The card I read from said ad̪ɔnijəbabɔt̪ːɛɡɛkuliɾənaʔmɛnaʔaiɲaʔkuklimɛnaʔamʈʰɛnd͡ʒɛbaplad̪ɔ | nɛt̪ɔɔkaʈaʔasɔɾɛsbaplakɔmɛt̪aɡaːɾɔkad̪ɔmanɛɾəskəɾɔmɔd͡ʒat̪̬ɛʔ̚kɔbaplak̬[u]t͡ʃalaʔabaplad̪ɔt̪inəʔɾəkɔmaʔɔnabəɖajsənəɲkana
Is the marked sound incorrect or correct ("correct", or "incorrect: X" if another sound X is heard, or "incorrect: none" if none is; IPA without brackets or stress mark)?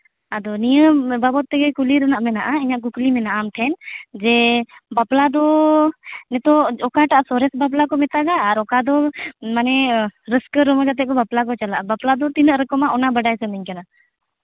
incorrect: ɔ